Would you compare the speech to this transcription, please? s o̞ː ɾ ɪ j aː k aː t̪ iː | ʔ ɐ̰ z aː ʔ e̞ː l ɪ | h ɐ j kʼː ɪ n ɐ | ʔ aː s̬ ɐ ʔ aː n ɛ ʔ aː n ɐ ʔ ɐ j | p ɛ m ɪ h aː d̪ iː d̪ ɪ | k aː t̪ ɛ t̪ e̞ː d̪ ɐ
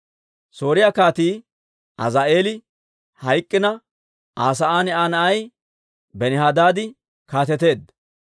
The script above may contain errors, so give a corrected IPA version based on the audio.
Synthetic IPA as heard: s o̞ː ɾ ɪ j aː k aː t̪ iː | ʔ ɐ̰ z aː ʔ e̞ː l ɪ | h ɐ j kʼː ɪ n ɐ | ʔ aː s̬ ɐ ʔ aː n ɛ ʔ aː n ɐ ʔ ɐ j | b ɛ n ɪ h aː d̪ aː d̪ ɪ | k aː t̪ ɛ t̪ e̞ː d̪ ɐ